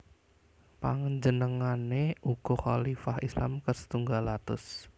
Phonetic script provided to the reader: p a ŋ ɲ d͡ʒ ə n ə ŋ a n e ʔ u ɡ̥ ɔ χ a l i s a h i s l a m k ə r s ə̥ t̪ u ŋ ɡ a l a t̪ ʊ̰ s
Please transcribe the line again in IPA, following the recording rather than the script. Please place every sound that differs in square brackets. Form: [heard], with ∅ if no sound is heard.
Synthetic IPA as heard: p a ŋ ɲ d͡ʒ ə n ə ŋ a n e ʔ u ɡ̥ ɔ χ a l i [f] a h i s l a m k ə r s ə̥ t̪ u ŋ ɡ a l a t̪ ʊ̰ s